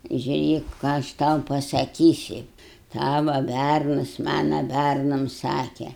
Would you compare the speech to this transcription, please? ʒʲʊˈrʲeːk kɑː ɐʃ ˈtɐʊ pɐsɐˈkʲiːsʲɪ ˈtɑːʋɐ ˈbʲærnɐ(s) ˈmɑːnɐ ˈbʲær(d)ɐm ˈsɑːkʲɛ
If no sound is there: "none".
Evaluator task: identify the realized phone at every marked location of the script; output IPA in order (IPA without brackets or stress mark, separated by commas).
s, n